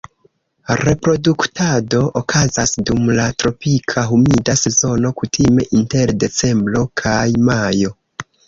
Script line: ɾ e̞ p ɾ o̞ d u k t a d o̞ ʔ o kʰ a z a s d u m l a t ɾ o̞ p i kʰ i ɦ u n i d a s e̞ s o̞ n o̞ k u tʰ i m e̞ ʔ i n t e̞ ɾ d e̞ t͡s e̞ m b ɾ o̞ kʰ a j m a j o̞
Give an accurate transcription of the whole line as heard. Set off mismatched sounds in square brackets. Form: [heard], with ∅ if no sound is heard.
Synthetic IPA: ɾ e̞ p ɾ o̞ d u k t a d o̞ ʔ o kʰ a z a s d u m l a t ɾ o̞ p i kʰ [a] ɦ u [m] i d a s e̞ [z] o̞ n o̞ k u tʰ i m e̞ ʔ i n t e̞ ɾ d e̞ t͡s e̞ m b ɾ o̞ kʰ a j m a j o̞